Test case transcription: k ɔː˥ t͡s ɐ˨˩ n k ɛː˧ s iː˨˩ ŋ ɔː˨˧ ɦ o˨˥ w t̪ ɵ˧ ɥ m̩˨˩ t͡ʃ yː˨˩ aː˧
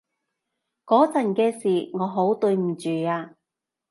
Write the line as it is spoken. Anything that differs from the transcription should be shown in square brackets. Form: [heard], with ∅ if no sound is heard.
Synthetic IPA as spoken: k [ɔː˨˥] t͡s ɐ˨˩ n k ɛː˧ s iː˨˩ ŋ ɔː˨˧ ɦ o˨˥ w t̪ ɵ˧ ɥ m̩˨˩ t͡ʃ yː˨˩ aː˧